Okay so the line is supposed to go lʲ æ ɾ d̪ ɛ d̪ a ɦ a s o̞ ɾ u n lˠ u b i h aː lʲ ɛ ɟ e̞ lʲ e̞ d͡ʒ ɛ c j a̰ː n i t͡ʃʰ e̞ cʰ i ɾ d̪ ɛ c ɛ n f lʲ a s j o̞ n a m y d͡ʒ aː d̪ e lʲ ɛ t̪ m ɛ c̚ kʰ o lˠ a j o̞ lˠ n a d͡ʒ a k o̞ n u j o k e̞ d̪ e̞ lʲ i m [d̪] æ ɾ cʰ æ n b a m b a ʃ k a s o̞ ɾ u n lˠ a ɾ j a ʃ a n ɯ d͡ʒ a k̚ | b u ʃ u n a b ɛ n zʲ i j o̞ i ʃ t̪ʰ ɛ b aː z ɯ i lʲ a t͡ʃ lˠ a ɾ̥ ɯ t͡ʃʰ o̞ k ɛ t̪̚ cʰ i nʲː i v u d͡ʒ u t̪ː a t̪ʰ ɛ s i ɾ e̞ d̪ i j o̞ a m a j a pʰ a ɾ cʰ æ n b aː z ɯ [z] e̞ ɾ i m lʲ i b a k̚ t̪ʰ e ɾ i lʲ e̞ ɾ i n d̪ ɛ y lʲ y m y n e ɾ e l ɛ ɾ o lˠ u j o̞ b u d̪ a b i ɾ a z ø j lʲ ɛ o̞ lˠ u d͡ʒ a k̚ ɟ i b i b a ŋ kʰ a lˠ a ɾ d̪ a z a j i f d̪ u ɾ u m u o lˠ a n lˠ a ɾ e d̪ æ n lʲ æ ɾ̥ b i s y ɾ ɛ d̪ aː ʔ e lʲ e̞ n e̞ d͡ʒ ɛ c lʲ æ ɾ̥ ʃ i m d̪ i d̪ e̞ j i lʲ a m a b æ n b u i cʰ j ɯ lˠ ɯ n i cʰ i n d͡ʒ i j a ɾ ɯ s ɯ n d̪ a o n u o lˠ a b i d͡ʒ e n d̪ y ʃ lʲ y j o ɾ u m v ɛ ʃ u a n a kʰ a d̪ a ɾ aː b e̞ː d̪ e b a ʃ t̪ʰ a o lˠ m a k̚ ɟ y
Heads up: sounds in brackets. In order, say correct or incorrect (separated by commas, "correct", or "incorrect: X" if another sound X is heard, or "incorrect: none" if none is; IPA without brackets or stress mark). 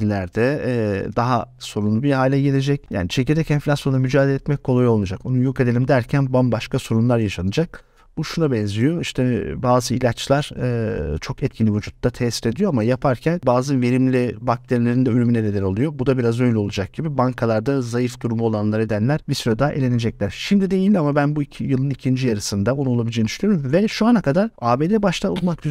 correct, incorrect: v